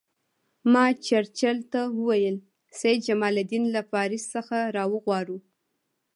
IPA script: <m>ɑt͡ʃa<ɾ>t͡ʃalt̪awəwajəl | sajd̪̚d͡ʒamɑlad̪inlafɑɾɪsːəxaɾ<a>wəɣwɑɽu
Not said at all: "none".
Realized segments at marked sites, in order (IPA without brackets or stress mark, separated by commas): m, ɾ, ɑ